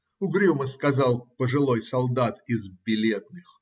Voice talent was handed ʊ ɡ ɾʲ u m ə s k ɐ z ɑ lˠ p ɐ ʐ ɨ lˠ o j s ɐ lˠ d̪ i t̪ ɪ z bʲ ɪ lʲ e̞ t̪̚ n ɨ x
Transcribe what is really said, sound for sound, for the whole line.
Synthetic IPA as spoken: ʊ ɡ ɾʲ u m ə s k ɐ z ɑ lˠ p ə ʐ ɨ lˠ o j s ɐ lˠ d̪ a t̪ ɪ z bʲ ɪ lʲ e̞ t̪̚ n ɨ x